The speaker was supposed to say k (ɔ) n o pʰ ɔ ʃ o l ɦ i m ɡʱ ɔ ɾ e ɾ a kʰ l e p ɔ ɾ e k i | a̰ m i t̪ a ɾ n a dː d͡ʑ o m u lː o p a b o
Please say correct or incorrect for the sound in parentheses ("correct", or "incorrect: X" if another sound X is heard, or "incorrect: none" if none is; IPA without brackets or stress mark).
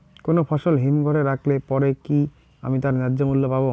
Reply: incorrect: o